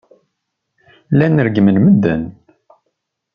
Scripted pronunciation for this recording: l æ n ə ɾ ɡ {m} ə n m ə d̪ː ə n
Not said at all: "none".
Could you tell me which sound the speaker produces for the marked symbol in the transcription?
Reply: m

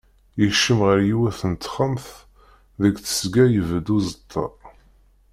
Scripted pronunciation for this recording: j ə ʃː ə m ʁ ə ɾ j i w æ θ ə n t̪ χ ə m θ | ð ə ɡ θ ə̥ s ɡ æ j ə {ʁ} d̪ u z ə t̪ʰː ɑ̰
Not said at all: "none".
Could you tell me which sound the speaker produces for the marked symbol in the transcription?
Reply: v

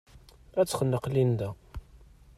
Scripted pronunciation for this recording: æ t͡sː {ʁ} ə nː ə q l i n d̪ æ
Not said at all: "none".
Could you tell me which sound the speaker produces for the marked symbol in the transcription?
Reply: χ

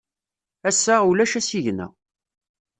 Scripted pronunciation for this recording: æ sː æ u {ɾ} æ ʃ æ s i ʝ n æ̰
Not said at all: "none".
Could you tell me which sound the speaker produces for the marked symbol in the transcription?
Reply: l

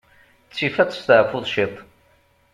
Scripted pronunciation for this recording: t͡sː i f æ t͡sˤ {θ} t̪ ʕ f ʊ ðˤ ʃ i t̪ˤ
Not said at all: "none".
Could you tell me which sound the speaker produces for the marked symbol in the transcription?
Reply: s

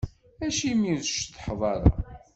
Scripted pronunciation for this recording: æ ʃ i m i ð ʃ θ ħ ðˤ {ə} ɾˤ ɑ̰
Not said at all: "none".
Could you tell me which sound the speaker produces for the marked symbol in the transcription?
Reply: ɑ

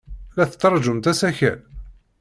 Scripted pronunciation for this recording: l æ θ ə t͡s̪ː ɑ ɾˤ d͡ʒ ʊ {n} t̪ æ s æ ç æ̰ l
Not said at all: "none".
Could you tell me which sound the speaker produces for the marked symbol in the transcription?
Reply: m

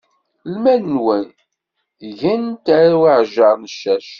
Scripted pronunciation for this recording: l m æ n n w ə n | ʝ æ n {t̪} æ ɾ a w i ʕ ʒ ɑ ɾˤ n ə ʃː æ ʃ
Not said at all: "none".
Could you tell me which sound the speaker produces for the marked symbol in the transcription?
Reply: t̪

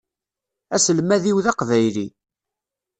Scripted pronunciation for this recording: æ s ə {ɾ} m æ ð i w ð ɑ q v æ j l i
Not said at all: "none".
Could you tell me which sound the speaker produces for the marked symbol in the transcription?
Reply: l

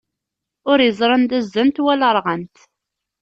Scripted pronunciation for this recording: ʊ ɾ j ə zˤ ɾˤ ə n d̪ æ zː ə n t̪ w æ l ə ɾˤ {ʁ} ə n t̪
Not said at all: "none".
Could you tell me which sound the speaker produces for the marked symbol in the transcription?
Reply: ʁ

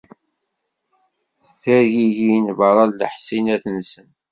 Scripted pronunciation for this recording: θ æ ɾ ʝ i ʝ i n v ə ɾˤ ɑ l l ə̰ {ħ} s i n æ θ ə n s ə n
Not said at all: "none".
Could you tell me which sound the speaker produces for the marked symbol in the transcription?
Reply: ħ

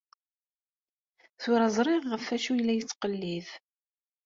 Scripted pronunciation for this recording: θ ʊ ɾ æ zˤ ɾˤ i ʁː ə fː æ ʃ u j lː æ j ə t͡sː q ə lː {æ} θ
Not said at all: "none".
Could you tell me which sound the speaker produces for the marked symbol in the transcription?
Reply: i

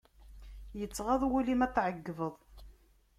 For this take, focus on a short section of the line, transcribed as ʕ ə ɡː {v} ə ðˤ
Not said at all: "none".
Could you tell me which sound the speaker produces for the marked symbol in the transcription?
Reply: v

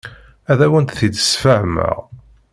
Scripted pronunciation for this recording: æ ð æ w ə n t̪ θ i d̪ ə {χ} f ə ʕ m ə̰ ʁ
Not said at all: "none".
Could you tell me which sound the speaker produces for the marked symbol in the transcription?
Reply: s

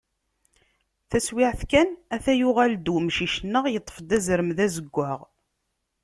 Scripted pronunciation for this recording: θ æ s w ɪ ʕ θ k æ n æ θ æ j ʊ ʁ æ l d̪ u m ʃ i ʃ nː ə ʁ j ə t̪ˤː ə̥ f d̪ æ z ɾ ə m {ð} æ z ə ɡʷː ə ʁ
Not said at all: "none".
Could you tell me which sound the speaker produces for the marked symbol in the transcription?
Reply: ð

